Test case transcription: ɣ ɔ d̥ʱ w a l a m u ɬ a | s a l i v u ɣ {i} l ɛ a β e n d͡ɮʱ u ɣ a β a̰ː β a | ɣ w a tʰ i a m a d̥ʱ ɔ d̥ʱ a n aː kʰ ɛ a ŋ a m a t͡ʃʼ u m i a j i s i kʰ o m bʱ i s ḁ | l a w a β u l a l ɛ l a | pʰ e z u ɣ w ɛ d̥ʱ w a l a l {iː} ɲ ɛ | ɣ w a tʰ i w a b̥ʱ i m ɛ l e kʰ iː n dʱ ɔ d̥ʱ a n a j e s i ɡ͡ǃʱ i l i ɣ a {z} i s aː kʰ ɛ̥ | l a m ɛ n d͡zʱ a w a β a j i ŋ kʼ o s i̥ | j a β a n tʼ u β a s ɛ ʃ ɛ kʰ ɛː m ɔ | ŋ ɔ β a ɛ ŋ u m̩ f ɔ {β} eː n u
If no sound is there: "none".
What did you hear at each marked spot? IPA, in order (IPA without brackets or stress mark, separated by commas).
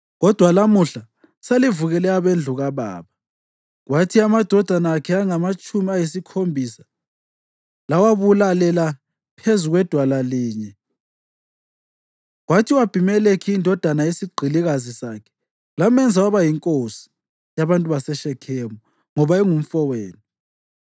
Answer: ɛ, iː, z, w